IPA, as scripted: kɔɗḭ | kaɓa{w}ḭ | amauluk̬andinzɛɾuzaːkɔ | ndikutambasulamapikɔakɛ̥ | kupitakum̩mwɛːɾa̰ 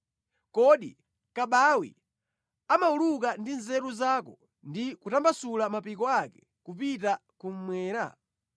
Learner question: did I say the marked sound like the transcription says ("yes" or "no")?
yes